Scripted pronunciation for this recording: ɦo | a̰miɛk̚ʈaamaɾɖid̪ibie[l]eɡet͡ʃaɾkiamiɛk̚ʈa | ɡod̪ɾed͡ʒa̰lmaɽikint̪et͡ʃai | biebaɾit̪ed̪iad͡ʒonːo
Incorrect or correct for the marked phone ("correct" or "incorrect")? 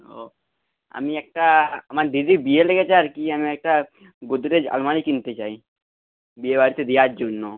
correct